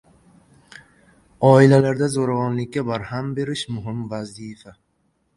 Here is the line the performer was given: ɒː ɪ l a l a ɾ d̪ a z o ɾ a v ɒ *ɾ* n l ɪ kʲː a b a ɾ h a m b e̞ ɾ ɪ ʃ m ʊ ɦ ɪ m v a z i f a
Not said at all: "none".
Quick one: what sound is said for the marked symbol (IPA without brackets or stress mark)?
none